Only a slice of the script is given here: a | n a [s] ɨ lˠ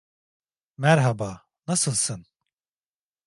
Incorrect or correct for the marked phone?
correct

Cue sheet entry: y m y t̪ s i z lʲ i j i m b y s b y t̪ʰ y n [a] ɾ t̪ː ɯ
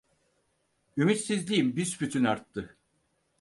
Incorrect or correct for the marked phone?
correct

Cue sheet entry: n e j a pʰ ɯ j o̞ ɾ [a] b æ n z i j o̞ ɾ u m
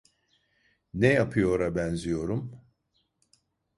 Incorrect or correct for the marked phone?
correct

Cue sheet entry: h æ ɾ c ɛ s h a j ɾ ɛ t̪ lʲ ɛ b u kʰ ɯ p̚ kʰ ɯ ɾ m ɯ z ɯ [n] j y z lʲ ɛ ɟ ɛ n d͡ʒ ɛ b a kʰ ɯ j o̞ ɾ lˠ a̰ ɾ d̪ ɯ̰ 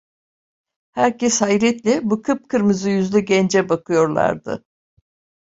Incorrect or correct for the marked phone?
incorrect: none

